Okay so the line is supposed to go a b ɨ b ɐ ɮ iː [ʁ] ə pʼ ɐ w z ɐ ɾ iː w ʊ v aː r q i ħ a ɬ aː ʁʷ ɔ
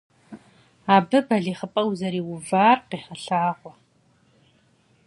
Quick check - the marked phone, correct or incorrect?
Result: incorrect: χ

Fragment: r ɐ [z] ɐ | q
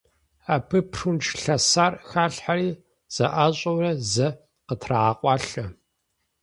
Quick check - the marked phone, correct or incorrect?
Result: correct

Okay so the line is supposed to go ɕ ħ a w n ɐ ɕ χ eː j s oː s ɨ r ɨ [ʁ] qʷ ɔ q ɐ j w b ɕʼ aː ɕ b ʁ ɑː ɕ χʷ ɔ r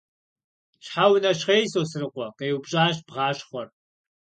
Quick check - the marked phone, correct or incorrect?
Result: incorrect: none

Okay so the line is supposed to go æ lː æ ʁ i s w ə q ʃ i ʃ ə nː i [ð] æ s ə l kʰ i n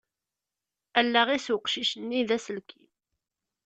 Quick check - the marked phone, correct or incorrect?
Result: correct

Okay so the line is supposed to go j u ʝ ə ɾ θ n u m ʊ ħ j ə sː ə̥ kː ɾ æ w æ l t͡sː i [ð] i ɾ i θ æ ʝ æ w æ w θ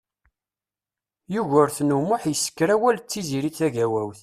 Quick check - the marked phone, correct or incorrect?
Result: incorrect: z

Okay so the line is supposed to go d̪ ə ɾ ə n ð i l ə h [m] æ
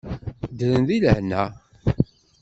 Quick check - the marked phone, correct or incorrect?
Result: incorrect: n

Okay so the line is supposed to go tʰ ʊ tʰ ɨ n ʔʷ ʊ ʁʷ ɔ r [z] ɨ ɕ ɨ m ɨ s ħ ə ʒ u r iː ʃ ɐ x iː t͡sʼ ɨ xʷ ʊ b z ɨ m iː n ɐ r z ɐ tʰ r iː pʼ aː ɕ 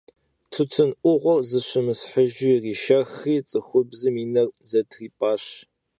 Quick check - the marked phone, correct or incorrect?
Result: correct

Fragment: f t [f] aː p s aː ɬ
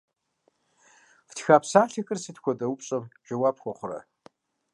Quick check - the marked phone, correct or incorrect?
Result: incorrect: x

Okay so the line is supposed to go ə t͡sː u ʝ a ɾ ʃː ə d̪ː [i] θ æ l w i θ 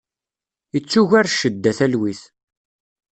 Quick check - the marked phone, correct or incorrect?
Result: incorrect: æ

